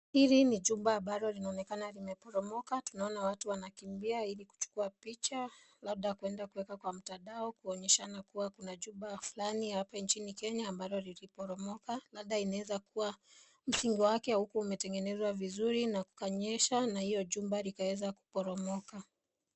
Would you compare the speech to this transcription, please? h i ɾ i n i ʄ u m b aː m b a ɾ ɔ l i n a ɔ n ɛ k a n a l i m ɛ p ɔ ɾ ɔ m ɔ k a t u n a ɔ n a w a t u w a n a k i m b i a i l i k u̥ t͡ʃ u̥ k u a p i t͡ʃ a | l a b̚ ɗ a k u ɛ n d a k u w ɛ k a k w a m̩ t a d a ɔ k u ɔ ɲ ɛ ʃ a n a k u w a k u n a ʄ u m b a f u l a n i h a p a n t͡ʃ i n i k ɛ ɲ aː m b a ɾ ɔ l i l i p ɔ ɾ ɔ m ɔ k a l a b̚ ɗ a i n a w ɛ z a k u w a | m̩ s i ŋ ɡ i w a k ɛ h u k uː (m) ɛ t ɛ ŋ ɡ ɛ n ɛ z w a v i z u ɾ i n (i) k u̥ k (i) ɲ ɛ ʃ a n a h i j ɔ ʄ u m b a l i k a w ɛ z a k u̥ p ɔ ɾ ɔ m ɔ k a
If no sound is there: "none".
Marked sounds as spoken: m, a, a

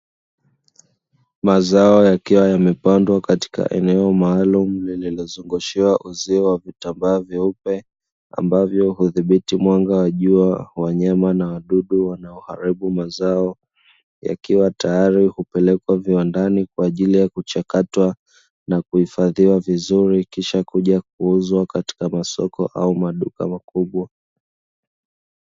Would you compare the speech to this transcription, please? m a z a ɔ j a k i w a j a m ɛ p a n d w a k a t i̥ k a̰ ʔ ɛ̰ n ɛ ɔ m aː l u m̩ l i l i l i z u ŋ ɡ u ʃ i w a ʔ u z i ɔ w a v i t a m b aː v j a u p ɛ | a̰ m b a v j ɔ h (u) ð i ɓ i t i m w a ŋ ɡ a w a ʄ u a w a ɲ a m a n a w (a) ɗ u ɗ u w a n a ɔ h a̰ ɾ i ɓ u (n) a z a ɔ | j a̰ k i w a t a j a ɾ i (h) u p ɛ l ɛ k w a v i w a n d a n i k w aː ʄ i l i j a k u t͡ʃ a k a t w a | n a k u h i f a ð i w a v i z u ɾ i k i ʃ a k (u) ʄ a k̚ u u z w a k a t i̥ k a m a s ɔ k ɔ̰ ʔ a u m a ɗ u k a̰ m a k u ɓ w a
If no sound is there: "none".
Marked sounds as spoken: u, a, m, h, u

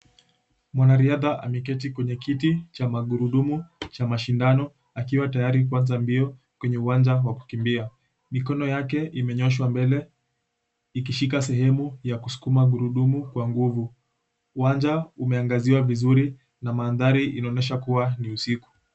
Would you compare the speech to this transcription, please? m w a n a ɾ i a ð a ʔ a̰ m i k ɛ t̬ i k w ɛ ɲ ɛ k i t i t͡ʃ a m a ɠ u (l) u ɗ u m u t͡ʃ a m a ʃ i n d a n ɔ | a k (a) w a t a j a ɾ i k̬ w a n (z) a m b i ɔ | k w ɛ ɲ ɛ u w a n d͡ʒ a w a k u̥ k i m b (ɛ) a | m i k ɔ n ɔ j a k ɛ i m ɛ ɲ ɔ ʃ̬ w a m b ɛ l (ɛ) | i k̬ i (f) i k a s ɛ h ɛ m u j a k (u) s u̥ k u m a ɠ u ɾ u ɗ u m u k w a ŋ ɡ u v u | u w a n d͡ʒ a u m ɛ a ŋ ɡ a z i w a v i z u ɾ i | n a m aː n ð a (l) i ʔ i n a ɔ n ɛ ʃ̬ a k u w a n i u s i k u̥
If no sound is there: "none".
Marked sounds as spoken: ɾ, i, z, i, ɛ, ʃ, u, ɾ

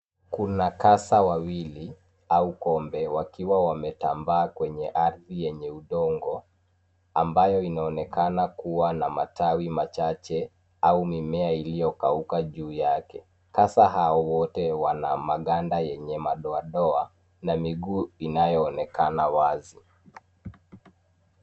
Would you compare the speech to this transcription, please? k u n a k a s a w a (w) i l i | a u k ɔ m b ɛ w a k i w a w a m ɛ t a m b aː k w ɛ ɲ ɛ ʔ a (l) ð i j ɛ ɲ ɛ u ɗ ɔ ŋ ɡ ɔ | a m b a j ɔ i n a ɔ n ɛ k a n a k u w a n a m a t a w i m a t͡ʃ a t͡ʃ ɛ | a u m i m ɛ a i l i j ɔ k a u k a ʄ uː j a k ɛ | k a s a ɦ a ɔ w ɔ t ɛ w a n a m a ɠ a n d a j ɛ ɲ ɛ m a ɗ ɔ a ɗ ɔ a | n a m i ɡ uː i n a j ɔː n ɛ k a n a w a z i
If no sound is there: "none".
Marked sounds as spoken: w, ɾ

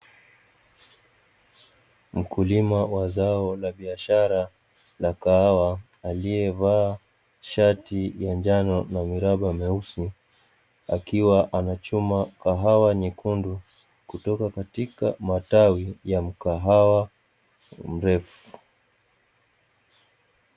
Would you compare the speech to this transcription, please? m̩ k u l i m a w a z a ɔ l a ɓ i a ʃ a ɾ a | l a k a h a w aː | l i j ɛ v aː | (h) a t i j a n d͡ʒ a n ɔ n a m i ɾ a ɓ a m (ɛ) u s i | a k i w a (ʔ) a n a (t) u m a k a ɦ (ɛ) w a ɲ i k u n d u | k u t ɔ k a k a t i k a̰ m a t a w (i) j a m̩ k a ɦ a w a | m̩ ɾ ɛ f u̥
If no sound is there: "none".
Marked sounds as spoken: ʃ, ɛ, ʔ, t͡ʃ, a, i

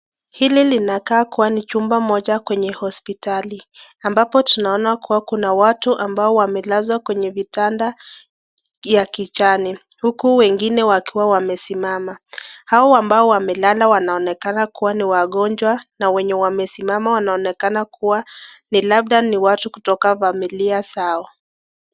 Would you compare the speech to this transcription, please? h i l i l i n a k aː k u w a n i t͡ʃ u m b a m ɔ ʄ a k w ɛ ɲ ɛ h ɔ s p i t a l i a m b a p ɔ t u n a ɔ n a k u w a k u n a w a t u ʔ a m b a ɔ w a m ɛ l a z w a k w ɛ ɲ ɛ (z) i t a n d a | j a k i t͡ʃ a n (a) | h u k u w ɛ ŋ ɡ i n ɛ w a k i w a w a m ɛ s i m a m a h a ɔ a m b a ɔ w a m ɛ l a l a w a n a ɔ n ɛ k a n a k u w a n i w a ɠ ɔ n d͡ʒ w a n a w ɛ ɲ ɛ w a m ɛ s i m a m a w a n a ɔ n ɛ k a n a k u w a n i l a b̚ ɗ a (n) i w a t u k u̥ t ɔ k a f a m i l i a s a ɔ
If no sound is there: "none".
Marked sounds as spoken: v, i, n

